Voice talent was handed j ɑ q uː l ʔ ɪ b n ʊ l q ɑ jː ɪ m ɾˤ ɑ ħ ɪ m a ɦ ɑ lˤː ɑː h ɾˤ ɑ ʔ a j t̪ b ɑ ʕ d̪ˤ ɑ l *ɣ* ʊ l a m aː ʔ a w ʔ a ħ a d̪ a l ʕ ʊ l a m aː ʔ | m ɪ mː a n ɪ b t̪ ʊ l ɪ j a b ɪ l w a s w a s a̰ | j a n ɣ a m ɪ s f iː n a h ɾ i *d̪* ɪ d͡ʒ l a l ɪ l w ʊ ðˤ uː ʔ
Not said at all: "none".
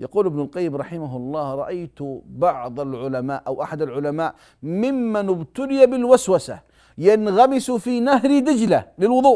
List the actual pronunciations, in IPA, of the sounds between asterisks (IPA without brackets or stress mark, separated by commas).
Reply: ʕ, d̪